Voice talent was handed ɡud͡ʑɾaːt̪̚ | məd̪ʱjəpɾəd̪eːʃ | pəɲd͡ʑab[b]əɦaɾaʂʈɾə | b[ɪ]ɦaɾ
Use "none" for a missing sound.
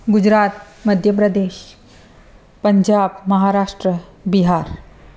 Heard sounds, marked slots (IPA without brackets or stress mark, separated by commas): m, i